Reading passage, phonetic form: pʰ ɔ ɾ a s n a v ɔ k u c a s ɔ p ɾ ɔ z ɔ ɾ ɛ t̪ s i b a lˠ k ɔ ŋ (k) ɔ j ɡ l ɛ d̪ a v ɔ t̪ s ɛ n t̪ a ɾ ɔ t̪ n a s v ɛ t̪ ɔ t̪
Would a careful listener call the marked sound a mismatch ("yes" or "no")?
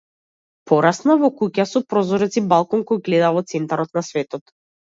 no